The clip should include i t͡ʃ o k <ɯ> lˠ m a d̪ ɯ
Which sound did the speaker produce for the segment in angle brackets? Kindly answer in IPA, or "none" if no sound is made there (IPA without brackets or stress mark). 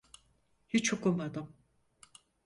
u